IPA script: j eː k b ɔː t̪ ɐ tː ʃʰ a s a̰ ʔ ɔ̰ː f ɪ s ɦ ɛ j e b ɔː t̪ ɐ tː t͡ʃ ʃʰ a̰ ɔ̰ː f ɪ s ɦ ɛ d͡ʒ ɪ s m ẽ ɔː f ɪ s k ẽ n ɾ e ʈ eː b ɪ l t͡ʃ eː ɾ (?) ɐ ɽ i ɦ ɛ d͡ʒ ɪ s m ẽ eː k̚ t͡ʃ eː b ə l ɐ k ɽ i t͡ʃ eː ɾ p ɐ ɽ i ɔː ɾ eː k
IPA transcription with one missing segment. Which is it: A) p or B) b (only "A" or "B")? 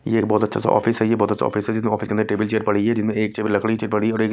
A